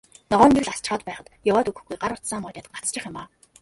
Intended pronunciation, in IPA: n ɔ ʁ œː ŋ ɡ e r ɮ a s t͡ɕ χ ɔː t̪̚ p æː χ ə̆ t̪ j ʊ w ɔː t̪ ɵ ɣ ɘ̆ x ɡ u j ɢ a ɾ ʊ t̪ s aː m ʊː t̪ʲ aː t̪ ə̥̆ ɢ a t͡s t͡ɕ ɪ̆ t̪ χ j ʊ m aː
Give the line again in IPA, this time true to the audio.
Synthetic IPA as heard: n ɔ ʁ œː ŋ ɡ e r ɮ a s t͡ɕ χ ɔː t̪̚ p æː χ ə̆ t̪ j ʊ w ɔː t̪ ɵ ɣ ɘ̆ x ɡ u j ɢ a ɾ ʊ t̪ s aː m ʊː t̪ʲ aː t̪ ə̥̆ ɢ a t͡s t͡ɕ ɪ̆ χ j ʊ m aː